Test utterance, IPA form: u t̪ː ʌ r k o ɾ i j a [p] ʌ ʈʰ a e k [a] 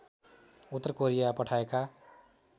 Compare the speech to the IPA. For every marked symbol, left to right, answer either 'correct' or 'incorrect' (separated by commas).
correct, correct